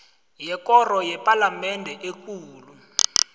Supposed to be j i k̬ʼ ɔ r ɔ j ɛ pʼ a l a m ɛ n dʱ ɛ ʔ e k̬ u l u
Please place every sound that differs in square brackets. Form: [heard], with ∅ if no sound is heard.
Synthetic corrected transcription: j [ɛ] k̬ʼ ɔ r ɔ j ɛ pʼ a l a m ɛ n dʱ ɛ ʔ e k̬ [uː] l u